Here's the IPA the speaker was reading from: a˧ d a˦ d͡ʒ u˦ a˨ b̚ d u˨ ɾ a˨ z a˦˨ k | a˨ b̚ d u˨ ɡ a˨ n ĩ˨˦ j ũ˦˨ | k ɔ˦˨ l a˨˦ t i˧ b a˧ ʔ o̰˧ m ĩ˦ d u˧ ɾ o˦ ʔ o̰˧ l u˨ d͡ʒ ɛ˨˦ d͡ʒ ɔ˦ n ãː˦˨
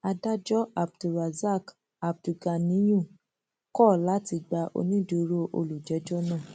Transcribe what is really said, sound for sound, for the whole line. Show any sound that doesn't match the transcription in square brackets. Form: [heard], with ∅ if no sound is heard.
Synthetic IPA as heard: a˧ d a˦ d͡ʒ [ɔ˦] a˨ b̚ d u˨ ɾ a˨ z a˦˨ k | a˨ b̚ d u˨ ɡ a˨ n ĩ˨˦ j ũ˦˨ | k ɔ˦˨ l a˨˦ t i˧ [ɡ͡b] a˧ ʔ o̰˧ [n] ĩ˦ d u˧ ɾ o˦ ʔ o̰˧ l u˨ d͡ʒ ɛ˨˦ d͡ʒ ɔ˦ n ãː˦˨